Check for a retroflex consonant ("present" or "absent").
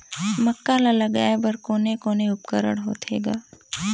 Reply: present